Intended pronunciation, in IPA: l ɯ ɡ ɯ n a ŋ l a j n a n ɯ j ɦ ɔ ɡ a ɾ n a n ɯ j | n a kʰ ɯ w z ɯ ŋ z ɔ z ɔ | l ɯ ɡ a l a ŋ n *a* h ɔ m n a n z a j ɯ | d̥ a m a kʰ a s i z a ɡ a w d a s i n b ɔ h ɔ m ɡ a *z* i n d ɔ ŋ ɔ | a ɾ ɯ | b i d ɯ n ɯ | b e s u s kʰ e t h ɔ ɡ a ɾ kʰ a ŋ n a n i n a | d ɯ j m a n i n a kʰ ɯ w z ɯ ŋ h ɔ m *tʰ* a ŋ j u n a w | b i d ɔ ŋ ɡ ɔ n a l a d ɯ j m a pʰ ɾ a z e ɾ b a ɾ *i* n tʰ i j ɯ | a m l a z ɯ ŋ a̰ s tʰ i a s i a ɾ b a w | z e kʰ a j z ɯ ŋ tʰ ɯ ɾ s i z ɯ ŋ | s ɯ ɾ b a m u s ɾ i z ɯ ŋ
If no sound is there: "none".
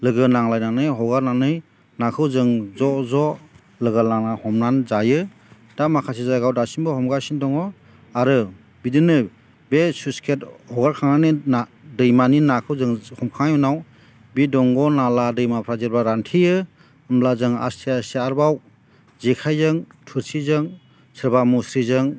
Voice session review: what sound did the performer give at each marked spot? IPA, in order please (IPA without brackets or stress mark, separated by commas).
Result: a, s, kʰ, a